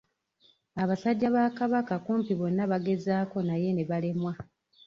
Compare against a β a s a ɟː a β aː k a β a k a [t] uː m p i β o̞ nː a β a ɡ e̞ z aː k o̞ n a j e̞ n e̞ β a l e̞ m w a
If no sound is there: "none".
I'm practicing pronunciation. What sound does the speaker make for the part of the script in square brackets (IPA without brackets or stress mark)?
k